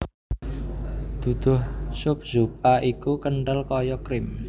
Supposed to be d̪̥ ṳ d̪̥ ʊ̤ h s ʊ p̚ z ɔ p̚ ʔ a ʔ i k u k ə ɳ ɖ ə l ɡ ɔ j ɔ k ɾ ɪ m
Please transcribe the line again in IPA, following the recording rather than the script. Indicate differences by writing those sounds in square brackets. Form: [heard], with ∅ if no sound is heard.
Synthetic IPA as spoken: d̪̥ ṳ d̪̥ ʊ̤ h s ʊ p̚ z [u] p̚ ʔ a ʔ i k u k ə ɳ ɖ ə l [k] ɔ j ɔ k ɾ ɪ m